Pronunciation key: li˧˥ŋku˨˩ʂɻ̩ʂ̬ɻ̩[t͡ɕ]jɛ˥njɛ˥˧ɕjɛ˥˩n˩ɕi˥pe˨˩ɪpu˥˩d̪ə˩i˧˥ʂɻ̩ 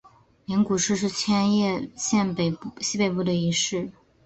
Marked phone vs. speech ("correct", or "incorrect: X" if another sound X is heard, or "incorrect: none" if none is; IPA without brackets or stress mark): incorrect: t͡ɕʰ